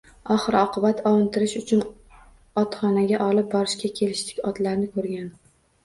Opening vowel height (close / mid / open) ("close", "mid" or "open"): open